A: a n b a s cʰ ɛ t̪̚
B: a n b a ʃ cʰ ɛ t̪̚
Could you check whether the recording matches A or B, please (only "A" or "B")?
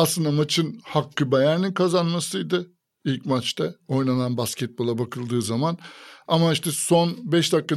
A